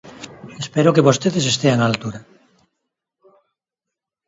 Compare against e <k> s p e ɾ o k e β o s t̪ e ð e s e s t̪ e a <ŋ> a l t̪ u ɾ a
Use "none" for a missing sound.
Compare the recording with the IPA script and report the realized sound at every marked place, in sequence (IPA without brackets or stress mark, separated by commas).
none, ŋ